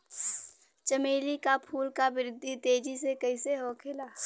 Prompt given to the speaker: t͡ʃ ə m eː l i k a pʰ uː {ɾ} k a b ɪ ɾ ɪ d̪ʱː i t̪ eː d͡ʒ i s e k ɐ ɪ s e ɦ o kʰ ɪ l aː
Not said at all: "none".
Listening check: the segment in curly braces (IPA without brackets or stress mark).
l